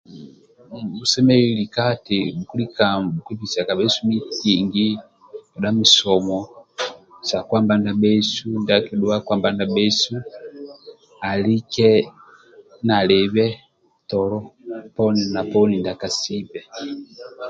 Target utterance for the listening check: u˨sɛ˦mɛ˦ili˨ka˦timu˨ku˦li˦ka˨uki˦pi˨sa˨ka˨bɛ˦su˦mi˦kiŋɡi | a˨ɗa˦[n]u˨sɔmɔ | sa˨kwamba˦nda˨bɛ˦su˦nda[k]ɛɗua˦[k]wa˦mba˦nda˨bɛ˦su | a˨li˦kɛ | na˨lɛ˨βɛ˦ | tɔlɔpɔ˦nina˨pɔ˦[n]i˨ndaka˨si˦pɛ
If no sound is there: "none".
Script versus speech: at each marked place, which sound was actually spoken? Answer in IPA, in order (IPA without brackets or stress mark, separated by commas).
m, k, k, n